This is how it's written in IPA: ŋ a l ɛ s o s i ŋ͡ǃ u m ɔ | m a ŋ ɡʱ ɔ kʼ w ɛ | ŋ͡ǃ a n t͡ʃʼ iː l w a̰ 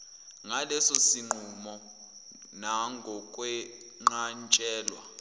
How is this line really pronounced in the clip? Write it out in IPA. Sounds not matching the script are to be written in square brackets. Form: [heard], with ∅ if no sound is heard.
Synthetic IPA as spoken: ŋ a l ɛ s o s i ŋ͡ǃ u m ɔ | [n] a ŋ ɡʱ ɔ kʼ w ɛ | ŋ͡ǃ a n t͡ʃʼ [ɛː] l w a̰